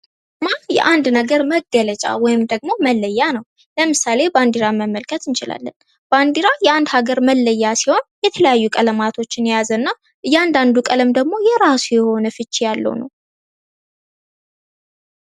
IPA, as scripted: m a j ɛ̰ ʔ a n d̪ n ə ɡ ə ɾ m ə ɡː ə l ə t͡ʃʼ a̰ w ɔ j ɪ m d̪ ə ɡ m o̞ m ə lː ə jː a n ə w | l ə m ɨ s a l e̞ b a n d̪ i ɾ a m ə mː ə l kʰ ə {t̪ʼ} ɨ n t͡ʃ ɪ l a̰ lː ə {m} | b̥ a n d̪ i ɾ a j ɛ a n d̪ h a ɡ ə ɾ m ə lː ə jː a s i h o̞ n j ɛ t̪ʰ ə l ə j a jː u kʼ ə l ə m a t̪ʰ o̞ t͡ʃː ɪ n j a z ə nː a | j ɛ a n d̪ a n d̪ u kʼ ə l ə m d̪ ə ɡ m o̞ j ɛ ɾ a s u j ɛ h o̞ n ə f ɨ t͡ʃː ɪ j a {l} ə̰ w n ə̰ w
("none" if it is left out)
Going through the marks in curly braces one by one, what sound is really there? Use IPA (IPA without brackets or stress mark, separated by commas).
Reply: t̪, n, lː